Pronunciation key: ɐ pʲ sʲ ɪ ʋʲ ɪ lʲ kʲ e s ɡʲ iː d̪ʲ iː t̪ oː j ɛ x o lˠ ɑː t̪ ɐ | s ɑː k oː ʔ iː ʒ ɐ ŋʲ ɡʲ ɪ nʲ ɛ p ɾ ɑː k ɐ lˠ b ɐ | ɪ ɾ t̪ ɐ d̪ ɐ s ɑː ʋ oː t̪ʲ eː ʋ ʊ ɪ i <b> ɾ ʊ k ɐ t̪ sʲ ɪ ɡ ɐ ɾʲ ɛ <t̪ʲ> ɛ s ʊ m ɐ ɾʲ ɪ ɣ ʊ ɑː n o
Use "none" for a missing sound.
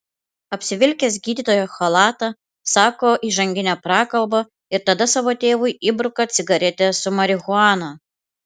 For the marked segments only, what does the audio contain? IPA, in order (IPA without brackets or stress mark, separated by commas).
b, t̪ʲ